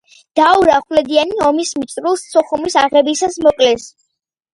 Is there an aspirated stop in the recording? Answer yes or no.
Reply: no